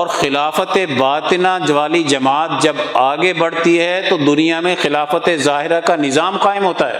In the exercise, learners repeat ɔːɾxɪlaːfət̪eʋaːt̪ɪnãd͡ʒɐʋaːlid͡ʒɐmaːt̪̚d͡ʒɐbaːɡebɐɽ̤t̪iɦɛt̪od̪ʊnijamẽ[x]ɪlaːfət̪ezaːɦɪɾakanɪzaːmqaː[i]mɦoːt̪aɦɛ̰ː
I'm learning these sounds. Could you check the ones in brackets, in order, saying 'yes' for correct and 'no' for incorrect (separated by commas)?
yes, no